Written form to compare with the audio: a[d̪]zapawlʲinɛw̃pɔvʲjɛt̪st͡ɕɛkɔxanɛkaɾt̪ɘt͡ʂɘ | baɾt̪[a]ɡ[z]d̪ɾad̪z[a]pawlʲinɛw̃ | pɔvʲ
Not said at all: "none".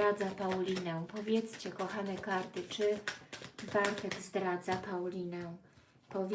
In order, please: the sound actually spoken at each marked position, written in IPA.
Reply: d̪, ɛ, z, a

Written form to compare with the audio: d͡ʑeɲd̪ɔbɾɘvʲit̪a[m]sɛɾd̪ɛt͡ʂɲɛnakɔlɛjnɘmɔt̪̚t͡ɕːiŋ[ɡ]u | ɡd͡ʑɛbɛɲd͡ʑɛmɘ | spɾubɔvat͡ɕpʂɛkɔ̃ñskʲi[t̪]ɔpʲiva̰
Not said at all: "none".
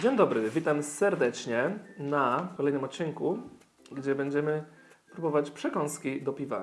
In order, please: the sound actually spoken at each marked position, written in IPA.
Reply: m, k, d̪

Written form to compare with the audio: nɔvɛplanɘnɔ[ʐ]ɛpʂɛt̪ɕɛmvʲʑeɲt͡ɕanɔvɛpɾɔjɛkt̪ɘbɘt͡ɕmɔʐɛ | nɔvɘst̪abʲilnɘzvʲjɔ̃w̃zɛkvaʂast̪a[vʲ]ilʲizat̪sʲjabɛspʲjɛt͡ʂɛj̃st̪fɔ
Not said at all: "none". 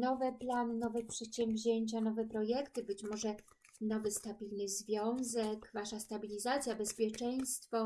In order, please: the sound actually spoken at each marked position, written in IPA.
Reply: v, bʲ

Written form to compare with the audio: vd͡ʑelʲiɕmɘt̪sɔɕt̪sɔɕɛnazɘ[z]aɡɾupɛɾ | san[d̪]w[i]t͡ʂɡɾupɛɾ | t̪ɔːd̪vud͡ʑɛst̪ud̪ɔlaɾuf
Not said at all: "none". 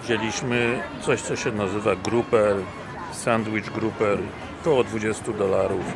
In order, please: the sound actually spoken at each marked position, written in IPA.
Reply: v, d̪, i

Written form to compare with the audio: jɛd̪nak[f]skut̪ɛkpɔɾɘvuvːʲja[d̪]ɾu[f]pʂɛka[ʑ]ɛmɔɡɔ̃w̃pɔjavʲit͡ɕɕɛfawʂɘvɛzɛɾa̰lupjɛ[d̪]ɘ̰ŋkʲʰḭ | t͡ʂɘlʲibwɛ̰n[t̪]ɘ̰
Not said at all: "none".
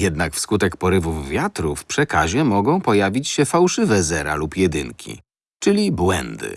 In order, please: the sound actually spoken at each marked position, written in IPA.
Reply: f, t̪, f, ʑ, d̪, d̪

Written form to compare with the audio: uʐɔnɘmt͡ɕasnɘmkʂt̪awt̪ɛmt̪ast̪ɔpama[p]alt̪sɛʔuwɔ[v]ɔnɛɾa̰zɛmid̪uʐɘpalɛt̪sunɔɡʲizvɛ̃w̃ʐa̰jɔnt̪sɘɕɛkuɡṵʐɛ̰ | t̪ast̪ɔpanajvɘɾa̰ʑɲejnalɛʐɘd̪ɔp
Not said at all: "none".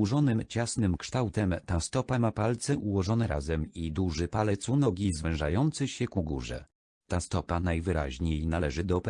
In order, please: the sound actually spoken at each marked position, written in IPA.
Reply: p, ʐ

